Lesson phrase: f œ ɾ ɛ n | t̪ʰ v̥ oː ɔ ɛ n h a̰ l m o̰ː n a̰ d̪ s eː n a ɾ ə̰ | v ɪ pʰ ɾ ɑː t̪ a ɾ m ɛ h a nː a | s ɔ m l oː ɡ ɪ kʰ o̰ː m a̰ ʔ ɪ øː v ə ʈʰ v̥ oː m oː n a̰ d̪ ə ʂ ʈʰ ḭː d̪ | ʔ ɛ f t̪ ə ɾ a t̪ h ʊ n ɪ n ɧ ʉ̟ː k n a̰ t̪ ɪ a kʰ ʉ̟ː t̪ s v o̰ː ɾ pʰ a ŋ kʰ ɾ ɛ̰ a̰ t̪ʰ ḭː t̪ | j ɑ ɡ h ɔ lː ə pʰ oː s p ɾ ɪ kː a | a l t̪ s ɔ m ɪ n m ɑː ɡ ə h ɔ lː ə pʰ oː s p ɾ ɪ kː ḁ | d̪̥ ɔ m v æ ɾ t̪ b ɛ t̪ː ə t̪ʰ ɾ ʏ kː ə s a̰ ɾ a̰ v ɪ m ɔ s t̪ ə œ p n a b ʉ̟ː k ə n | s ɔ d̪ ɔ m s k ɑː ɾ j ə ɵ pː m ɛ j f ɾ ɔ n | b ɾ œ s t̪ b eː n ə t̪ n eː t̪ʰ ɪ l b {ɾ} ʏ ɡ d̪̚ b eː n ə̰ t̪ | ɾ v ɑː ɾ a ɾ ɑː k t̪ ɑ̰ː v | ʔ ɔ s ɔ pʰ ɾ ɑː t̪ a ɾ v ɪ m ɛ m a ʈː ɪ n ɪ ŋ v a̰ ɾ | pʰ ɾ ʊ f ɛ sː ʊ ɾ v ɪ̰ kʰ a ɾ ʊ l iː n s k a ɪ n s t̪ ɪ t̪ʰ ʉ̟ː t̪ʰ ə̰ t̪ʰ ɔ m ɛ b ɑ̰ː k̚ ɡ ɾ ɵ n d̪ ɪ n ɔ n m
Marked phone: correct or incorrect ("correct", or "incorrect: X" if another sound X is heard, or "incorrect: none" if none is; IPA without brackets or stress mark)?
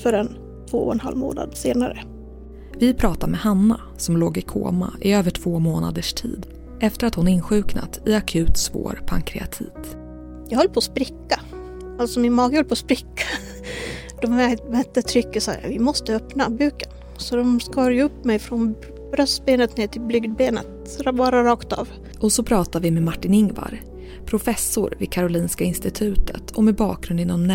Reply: incorrect: l